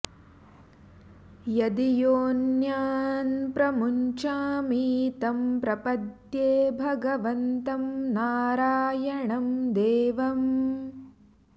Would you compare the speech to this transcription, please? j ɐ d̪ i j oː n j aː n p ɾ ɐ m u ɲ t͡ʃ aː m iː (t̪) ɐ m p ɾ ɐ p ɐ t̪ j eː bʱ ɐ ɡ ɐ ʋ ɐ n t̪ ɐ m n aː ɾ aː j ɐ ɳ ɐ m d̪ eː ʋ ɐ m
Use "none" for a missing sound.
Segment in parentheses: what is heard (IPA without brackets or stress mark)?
t̪